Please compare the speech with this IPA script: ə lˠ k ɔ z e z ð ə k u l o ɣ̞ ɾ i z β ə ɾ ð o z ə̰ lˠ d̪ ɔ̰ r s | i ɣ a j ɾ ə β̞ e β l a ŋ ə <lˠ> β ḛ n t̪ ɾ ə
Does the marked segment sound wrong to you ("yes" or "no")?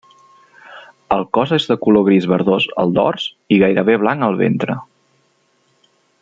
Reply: no